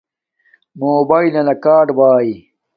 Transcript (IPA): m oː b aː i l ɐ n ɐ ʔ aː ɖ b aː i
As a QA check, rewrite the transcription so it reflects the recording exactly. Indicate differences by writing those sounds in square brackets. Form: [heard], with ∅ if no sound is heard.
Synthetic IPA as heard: m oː b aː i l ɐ n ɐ [k] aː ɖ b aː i